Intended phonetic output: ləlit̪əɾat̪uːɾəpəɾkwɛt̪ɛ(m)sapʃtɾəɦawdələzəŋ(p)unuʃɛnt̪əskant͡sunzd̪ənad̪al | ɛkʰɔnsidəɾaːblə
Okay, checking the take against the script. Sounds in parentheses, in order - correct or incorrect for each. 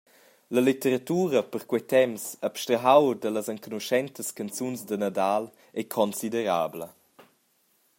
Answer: correct, incorrect

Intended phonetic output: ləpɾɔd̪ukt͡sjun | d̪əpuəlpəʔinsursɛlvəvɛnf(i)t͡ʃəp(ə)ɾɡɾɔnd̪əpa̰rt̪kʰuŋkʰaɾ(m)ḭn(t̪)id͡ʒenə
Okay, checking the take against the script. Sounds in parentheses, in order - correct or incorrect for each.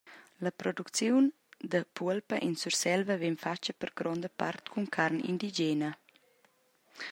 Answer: incorrect, correct, incorrect, incorrect

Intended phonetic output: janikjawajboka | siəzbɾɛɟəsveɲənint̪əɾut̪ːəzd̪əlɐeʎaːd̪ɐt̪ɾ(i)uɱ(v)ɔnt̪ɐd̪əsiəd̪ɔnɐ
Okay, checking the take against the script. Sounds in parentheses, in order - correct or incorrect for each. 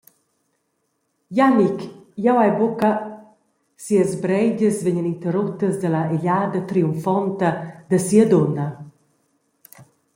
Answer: correct, incorrect

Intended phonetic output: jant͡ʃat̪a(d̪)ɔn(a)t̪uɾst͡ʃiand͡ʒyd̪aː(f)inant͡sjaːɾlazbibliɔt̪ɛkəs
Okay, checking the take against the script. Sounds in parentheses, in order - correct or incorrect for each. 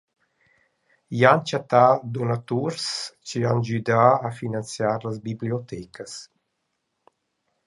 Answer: correct, correct, correct

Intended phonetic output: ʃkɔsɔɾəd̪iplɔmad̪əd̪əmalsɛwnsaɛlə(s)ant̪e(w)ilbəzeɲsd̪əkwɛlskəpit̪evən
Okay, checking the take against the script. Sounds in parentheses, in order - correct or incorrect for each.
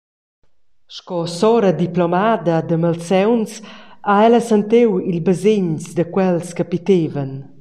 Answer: correct, correct

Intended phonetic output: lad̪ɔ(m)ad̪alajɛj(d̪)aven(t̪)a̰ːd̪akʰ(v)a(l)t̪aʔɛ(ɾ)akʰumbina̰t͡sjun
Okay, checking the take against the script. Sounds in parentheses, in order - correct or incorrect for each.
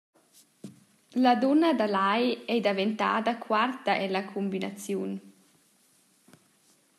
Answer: incorrect, correct, correct, incorrect, incorrect, incorrect

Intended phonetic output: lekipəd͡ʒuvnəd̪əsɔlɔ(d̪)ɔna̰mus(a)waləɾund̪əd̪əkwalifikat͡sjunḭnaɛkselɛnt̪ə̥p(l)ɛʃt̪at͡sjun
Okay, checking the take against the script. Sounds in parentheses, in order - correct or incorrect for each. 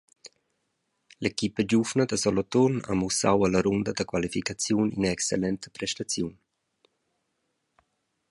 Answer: incorrect, correct, incorrect

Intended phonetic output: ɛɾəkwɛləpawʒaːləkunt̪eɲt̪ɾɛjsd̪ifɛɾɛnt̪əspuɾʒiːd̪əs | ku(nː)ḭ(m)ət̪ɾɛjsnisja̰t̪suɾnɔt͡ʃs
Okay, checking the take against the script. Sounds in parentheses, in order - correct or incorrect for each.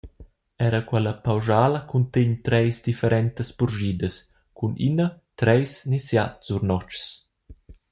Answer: incorrect, incorrect

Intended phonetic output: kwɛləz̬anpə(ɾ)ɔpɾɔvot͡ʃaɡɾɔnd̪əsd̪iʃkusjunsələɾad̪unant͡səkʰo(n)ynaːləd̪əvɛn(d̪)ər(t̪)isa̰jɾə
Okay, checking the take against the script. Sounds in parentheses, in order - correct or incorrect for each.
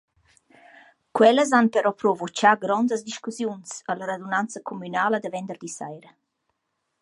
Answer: correct, incorrect, correct, incorrect

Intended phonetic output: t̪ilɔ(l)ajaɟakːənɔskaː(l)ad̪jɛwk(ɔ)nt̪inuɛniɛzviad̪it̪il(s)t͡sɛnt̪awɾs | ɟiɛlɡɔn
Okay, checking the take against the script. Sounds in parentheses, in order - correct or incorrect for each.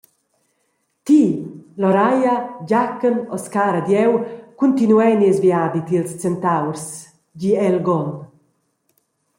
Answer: incorrect, incorrect, incorrect, correct

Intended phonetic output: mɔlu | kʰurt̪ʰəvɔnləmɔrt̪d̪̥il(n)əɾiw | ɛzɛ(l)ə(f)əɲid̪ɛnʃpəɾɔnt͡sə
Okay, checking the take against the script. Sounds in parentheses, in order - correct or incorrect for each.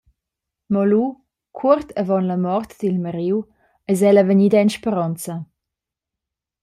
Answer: incorrect, correct, incorrect

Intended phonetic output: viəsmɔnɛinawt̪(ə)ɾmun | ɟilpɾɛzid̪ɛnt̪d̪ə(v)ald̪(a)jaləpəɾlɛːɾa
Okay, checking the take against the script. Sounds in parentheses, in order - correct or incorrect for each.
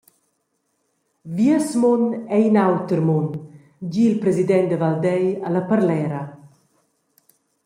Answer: correct, correct, incorrect

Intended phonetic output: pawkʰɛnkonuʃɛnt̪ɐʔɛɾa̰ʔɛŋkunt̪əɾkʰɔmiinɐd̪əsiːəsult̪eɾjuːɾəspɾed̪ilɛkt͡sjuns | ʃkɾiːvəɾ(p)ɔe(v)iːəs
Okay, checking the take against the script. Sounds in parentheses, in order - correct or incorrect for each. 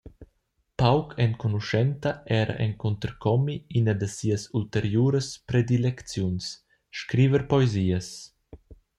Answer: correct, incorrect

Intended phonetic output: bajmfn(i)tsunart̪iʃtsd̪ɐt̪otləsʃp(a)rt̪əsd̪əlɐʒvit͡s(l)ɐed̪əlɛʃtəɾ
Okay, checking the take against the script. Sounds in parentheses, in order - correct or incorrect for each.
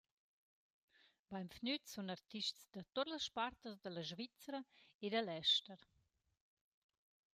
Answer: incorrect, correct, incorrect

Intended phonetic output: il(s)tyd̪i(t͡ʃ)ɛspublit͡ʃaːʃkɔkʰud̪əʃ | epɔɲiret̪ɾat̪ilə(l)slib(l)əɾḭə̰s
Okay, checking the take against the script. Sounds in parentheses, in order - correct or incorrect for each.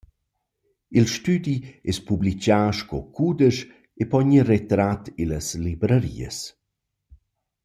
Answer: incorrect, incorrect, incorrect, incorrect

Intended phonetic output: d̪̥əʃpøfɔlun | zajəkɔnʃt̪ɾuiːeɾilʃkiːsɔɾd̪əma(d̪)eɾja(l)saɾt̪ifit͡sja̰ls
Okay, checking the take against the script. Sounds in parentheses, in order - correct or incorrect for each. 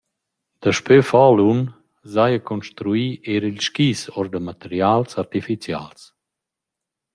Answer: incorrect, correct

